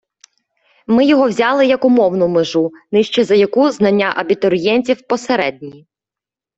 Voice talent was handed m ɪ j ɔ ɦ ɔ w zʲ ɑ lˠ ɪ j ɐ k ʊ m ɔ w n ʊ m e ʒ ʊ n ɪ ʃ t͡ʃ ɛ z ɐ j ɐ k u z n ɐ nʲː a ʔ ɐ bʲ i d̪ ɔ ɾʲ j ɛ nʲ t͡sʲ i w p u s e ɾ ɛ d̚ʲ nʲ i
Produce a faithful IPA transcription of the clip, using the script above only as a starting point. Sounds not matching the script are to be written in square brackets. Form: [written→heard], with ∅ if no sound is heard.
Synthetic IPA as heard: m ɪ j ɔ ɦ ɔ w zʲ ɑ lˠ ɪ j ɐ k ʊ m ɔ w n ʊ m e ʒ [ʊ→u] n ɪ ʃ t͡ʃ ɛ z ɐ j ɐ k u z n ɐ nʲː a ʔ ɐ bʲ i [d̪→t̪] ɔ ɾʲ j ɛ nʲ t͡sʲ i w p [u→ɔ] s e ɾ ɛ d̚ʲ nʲ i